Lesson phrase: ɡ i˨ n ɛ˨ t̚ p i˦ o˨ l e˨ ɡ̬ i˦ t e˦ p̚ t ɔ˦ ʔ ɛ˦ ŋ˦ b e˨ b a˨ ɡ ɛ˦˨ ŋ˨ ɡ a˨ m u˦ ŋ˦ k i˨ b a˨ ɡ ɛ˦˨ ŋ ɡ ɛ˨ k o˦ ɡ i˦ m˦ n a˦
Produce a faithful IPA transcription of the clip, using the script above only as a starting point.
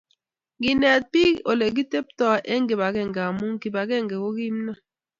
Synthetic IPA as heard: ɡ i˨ n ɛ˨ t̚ p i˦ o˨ l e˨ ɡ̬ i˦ t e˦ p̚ t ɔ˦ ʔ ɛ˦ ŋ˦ ɡ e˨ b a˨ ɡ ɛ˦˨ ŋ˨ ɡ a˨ m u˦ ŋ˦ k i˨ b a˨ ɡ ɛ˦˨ ŋ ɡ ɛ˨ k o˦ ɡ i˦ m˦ n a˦